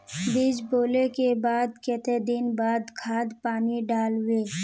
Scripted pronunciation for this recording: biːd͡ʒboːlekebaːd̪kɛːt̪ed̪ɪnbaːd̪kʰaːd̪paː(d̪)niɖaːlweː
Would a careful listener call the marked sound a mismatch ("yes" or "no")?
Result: yes